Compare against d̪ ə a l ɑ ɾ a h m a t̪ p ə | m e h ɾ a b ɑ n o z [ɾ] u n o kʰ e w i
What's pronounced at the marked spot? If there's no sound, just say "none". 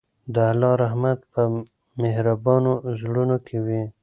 ɽ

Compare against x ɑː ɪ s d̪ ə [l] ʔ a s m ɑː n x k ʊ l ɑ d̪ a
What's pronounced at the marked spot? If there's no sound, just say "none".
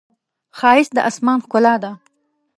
none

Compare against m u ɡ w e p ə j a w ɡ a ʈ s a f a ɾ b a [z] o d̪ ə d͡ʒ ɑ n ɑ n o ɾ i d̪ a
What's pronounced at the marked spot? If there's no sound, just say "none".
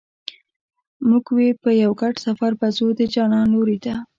z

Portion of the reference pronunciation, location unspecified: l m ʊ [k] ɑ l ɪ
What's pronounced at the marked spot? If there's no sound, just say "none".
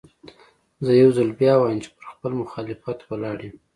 x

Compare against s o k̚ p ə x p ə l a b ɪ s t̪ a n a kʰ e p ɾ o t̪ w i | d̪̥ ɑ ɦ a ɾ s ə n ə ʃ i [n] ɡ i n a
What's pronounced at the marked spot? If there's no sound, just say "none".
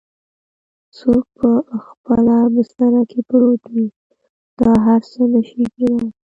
none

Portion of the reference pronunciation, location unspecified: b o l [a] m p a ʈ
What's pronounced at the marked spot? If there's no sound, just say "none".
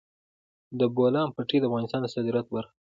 ɑ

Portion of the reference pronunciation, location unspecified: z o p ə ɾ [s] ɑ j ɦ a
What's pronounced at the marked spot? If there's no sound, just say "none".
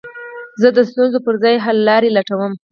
z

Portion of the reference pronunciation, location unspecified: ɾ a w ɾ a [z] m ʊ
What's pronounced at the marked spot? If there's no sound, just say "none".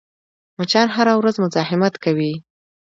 z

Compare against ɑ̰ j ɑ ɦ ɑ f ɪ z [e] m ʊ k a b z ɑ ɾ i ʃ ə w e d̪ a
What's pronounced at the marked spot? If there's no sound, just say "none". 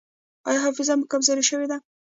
a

